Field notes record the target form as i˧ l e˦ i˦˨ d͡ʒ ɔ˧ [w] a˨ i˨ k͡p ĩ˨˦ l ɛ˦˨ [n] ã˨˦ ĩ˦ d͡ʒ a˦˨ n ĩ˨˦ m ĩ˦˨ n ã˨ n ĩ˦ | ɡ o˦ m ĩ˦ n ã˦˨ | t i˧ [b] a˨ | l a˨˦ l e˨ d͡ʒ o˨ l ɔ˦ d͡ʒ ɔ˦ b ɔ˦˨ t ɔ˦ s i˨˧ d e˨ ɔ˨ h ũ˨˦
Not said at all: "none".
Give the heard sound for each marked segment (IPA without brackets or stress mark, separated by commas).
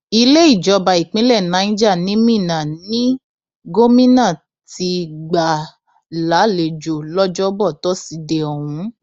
b, n, ɡ͡b